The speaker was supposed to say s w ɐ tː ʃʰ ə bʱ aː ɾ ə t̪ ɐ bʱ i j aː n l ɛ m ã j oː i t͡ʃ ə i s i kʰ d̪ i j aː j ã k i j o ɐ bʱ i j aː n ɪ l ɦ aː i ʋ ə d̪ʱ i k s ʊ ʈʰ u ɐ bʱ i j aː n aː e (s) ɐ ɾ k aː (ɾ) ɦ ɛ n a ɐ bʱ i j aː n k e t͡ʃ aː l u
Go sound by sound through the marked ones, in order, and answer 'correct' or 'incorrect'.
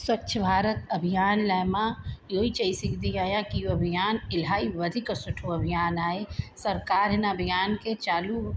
correct, correct

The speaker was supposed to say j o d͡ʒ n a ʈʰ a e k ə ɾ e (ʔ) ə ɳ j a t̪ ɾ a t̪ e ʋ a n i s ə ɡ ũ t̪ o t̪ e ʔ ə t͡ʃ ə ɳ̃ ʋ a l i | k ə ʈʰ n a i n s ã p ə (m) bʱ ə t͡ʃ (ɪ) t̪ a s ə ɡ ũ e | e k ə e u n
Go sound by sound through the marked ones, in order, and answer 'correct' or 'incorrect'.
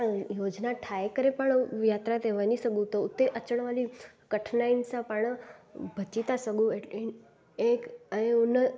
incorrect: p, incorrect: ɳ, incorrect: i

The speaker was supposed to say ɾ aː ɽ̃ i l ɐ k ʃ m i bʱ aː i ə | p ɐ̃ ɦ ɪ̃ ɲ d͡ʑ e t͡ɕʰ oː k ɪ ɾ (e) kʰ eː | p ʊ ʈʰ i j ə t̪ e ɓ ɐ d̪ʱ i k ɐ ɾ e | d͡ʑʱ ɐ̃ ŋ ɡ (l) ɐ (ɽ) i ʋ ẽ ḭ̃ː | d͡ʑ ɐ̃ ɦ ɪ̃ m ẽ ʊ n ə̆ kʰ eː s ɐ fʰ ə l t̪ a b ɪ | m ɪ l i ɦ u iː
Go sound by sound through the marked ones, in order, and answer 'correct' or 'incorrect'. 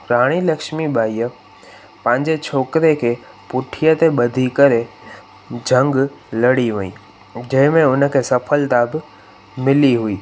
correct, correct, correct

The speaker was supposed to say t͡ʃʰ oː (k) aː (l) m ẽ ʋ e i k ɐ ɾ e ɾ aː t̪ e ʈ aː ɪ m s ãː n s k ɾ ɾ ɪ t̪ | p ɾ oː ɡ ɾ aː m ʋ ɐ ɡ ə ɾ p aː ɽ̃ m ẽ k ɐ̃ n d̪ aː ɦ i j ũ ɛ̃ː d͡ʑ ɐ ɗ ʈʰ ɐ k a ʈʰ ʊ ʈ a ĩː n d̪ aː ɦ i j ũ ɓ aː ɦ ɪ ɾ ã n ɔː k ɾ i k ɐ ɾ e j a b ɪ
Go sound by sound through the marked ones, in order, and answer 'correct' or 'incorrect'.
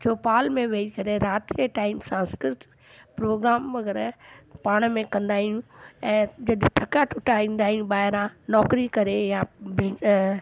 incorrect: p, correct

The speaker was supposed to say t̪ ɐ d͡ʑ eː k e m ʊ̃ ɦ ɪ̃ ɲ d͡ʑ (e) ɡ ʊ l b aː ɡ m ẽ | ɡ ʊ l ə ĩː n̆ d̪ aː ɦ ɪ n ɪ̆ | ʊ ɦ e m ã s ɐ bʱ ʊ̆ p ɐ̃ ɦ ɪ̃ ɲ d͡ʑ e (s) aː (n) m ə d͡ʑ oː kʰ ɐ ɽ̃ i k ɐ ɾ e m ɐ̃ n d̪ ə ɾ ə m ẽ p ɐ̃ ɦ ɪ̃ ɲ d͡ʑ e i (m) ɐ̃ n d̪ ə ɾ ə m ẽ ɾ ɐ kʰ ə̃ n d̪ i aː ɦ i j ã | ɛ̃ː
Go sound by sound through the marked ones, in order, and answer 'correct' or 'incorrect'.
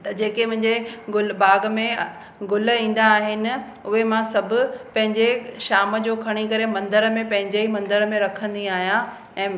correct, incorrect: ʃ, incorrect: none, correct

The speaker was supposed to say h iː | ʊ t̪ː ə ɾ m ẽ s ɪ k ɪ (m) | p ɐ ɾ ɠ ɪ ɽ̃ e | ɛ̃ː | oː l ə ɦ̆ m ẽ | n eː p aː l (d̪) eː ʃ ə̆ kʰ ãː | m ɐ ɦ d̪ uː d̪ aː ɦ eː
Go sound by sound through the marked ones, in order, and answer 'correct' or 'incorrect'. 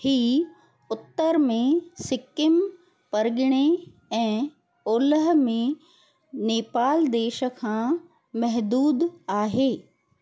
correct, correct

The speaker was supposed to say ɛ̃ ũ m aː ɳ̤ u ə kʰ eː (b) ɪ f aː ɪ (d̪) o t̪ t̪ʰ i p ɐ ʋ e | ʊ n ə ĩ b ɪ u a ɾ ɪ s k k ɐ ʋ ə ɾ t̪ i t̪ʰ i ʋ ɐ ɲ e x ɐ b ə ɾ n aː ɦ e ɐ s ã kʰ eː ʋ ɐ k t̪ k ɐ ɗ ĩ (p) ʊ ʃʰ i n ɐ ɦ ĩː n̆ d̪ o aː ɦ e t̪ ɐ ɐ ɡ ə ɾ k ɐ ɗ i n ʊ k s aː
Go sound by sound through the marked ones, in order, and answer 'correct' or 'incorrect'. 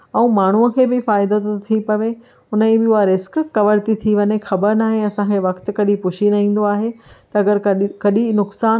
correct, correct, correct

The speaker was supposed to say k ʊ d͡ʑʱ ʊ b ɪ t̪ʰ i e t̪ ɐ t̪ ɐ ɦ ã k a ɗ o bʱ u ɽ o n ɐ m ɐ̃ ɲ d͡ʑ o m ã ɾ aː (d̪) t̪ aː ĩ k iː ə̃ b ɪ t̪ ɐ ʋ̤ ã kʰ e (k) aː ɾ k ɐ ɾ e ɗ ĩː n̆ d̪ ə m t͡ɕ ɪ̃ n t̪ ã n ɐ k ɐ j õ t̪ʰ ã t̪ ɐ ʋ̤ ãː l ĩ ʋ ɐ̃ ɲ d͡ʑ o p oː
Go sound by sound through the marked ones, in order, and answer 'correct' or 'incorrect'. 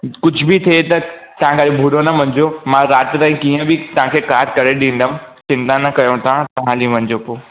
incorrect: t̪, correct

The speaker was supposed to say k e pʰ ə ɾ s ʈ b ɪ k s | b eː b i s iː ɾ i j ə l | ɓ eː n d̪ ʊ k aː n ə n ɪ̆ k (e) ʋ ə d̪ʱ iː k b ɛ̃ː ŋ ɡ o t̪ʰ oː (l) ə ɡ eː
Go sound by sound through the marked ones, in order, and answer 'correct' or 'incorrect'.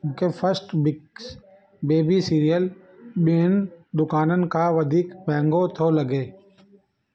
incorrect: a, correct

